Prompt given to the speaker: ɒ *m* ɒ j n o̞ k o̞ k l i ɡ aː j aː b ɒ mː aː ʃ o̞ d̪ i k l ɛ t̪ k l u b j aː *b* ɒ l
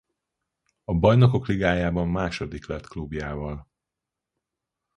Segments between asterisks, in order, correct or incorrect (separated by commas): incorrect, incorrect